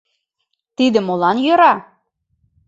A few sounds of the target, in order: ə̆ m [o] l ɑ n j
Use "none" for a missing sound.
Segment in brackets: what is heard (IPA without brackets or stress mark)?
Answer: o